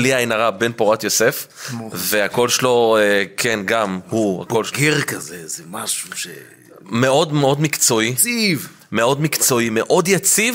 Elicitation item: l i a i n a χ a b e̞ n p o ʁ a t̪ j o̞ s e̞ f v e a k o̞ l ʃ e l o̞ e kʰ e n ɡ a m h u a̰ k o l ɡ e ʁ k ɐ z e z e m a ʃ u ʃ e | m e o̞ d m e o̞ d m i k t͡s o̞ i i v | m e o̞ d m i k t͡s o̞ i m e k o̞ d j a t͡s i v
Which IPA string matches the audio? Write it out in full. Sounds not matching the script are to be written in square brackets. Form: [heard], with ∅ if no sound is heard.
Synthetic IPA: l i a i n a [ʁ] a b e̞ n p o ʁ a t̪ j o̞ s e̞ f v e a k o̞ l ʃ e l o̞ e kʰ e n ɡ a m h u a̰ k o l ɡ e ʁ k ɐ z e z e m a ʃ u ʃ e | m e o̞ d m e o̞ d m i k t͡s o̞ i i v | m e o̞ d m i k t͡s o̞ i m e [ʔ] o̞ d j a t͡s i v